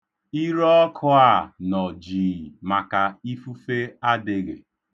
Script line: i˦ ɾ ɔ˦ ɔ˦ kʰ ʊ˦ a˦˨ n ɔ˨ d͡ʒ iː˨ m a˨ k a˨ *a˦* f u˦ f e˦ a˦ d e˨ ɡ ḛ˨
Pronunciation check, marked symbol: incorrect: i˦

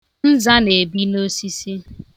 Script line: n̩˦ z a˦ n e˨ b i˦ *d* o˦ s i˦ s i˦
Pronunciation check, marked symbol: incorrect: n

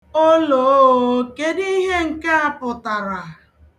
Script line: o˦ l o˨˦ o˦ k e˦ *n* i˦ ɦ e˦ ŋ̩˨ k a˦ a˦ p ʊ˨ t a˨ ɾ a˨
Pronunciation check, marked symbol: incorrect: d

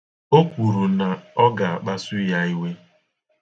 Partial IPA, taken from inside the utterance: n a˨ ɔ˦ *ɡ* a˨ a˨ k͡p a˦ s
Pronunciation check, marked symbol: correct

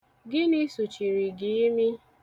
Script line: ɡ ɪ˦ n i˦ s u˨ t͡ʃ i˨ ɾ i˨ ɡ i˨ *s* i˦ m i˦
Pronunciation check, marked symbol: incorrect: none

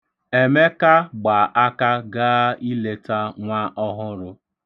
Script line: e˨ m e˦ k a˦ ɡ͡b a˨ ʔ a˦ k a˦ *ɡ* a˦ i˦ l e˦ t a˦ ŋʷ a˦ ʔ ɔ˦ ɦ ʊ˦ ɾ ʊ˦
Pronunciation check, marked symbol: correct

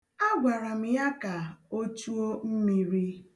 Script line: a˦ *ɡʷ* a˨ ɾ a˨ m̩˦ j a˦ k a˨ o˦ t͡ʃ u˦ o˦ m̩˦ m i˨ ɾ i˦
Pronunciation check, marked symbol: correct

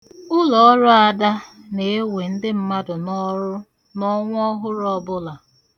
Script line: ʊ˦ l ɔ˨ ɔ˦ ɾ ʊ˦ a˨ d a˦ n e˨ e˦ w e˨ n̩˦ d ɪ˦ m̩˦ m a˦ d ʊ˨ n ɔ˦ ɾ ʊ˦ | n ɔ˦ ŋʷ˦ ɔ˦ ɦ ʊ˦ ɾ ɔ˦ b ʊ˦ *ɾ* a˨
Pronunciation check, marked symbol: incorrect: l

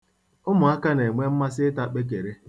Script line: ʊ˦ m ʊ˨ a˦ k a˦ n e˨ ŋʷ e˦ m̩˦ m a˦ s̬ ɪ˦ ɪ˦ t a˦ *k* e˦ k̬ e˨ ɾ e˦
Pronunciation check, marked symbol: incorrect: k͡p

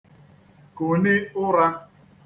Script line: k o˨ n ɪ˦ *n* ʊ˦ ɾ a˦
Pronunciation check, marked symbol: incorrect: none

